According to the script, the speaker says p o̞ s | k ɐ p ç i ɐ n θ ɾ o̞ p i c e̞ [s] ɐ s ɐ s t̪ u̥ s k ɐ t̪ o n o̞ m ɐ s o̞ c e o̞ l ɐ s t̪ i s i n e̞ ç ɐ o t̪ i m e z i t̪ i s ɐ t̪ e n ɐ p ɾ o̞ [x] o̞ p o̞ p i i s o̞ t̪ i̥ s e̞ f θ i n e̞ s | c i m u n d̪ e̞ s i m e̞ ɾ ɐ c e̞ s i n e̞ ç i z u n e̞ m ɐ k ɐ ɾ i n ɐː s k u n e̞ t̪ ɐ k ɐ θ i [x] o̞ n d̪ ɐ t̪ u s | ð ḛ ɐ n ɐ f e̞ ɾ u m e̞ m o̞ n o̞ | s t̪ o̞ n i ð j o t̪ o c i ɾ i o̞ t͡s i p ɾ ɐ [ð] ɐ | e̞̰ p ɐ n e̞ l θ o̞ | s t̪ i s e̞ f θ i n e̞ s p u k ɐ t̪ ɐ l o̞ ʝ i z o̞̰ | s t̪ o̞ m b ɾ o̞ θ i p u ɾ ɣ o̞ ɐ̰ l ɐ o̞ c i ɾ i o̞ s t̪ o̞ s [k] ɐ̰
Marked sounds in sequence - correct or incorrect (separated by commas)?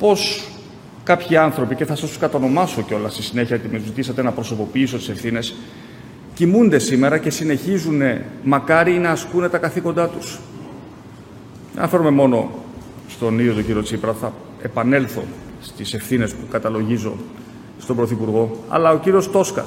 incorrect, incorrect, incorrect, incorrect, correct